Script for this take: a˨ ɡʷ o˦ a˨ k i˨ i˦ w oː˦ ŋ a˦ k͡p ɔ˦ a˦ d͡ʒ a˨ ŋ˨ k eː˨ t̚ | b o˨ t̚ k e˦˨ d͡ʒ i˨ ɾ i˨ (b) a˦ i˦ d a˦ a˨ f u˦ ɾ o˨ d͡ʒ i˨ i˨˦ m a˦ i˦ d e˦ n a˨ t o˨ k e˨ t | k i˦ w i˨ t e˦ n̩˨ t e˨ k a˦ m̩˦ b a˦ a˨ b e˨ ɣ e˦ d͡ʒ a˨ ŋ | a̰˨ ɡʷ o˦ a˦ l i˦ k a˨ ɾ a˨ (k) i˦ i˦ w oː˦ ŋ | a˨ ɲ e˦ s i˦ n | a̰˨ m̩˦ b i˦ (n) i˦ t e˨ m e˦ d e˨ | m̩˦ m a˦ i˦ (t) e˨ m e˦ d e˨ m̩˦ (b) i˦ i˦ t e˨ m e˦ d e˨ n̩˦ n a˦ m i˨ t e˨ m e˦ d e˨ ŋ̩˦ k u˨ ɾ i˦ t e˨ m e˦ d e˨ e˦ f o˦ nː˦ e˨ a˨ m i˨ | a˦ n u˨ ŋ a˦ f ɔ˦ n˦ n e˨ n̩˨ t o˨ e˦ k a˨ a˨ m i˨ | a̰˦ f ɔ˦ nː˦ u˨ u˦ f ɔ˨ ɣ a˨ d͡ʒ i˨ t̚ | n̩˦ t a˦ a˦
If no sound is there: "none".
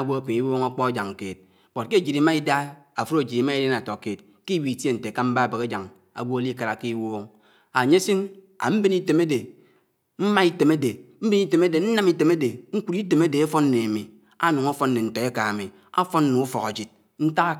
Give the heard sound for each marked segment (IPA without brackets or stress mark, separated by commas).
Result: m, k, n, t, b